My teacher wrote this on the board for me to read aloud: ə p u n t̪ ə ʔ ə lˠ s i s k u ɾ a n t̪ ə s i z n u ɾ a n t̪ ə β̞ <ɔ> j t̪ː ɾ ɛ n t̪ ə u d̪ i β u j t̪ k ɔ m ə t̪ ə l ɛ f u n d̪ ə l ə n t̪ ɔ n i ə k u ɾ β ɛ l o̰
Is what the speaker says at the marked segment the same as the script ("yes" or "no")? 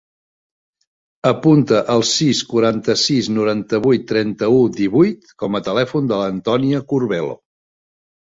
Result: no